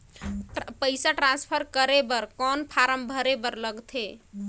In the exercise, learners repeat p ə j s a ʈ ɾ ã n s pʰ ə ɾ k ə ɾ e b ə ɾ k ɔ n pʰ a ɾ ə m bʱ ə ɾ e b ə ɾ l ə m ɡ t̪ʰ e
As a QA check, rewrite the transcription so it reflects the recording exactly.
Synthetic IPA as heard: p ə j s a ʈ ɾ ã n s pʰ ə ɾ k ə ɾ e b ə ɾ k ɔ n pʰ a ɾ ə m bʱ ə ɾ e b ə ɾ l ə ɡ t̪ʰ e